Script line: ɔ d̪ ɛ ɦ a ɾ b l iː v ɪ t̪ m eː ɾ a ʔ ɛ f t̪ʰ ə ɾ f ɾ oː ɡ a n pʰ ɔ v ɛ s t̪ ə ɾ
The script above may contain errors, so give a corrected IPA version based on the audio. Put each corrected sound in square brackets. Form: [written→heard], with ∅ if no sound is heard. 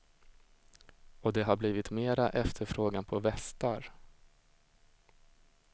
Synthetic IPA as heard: ɔ d̪ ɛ ɦ a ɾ b l iː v ɪ t̪ m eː ɾ a ʔ ɛ f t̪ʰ ə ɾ f ɾ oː ɡ a n pʰ ɔ v ɛ s t̪ [ə→a] ɾ